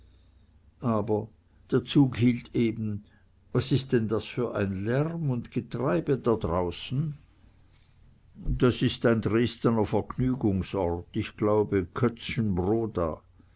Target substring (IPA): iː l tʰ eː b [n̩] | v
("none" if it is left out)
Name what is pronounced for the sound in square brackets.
n̩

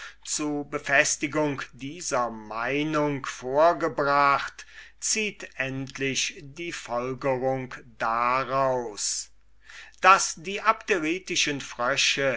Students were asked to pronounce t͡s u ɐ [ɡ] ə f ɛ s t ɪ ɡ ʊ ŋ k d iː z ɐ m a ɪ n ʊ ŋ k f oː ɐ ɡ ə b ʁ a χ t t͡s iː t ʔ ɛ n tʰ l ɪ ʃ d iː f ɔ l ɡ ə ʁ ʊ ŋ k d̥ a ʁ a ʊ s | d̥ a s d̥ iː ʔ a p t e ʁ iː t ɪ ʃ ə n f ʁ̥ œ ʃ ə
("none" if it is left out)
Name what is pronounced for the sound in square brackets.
b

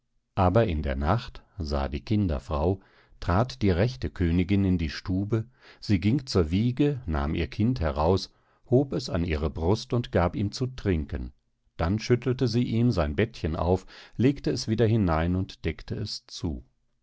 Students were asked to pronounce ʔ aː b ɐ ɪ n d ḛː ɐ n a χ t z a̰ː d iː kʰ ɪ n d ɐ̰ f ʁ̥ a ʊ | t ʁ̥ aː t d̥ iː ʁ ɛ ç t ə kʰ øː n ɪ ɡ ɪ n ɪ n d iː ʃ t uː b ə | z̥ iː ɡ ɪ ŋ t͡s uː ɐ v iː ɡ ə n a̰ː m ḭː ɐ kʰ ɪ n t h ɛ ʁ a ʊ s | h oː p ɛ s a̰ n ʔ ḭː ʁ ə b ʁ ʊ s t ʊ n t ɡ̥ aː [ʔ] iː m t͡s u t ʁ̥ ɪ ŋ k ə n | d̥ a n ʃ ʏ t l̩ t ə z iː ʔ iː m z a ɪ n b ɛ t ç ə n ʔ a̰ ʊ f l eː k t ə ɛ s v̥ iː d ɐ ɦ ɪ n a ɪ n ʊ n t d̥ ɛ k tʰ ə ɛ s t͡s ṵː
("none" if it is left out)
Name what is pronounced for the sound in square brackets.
p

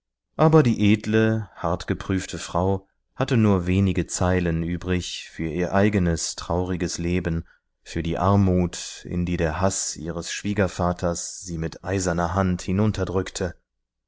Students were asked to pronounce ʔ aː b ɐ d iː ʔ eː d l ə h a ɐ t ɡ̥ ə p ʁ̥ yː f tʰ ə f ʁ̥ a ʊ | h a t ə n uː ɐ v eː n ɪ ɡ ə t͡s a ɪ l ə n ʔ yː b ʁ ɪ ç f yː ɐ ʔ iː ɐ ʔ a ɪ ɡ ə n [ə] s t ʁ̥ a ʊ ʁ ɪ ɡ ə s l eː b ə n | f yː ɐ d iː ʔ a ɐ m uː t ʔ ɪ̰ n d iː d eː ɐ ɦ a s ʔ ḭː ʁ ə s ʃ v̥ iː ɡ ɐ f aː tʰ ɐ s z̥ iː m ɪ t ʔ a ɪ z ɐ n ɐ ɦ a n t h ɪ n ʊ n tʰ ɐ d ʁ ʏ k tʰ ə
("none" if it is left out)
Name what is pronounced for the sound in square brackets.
ə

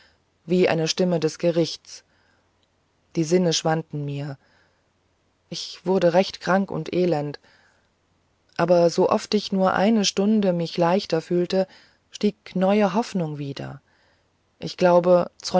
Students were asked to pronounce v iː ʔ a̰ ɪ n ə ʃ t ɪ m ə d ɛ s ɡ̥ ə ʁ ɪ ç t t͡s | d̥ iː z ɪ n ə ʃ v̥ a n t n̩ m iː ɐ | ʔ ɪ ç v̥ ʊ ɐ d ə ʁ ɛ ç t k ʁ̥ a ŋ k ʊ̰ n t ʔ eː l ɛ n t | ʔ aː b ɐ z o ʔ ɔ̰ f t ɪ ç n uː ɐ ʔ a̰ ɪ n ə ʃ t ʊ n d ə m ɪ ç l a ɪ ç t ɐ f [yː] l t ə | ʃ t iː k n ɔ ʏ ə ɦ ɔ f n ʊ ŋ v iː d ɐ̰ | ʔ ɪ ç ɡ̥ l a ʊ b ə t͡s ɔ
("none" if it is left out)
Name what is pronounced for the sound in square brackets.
yː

